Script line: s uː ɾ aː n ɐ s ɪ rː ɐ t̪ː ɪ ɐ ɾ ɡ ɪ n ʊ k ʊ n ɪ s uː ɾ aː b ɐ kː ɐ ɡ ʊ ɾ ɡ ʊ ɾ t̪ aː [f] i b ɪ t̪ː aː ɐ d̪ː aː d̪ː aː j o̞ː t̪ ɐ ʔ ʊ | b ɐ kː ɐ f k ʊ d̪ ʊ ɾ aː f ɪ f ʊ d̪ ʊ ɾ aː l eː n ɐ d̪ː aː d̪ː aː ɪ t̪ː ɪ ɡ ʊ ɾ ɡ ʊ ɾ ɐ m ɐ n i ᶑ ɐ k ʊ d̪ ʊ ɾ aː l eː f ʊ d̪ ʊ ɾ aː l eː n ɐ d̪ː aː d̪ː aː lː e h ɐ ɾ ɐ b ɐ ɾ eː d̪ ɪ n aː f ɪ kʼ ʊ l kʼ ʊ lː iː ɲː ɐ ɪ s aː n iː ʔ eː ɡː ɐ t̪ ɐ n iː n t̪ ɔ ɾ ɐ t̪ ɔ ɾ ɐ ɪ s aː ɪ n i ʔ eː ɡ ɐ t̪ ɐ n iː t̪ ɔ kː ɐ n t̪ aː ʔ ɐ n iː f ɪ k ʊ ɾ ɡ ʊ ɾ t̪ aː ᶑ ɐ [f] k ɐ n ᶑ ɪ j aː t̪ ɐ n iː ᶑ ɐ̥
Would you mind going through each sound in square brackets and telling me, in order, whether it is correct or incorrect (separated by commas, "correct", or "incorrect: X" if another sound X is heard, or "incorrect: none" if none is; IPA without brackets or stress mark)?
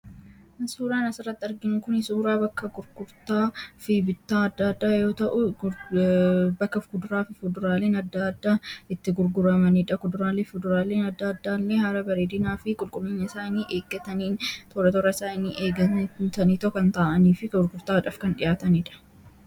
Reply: correct, correct